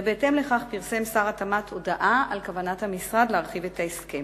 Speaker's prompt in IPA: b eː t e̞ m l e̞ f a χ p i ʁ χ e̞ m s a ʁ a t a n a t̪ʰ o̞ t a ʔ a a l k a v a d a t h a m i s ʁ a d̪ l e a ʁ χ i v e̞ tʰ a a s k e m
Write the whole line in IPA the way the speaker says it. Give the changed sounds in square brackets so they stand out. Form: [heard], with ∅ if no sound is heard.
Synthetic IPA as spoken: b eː t e̞ m l e̞ [χ] a χ p i ʁ [s] e̞ m s a ʁ a t a [m] a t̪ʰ o̞ [d] a ʔ a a l k a v a [n] a t h a m i s ʁ a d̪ l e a ʁ χ i v e̞ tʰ a [e] s k e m